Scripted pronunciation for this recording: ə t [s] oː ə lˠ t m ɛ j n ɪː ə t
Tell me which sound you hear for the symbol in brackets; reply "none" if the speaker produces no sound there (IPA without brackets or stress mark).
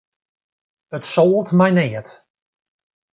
s